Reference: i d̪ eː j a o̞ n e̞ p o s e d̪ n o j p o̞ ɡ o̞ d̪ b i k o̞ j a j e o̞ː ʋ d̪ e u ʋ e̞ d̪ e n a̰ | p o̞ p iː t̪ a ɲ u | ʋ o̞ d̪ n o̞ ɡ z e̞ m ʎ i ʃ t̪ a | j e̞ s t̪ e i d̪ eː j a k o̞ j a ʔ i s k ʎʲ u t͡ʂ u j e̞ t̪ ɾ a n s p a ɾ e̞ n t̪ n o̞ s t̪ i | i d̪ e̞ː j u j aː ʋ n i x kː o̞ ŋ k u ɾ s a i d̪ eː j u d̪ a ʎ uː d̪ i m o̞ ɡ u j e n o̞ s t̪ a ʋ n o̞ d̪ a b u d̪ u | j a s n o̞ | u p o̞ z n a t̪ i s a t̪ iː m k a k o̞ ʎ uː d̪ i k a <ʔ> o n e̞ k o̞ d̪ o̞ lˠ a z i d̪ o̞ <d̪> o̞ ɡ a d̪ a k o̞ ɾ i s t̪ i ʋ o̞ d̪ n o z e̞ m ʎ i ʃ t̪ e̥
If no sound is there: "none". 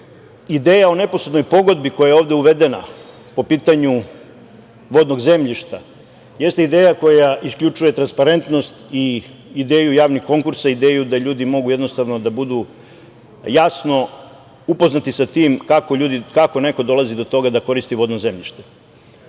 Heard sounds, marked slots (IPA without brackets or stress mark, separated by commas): k, t̪